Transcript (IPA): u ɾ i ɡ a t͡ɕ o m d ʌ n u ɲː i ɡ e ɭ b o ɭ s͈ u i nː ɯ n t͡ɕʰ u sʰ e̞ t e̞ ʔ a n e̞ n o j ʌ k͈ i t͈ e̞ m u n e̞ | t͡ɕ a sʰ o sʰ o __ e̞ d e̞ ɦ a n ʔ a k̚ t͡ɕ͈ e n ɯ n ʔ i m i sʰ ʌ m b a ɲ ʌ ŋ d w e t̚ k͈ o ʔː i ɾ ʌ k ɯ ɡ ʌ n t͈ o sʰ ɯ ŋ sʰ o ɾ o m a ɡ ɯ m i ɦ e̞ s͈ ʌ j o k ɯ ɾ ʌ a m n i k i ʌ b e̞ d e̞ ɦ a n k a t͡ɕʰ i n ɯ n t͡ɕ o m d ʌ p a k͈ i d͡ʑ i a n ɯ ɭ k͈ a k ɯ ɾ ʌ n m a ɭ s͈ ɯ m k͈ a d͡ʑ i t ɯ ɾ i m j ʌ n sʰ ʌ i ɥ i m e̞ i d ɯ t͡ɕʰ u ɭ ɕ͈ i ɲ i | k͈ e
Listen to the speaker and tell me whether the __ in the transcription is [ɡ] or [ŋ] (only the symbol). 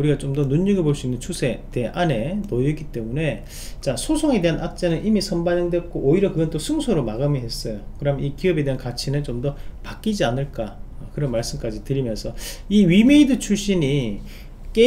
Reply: ŋ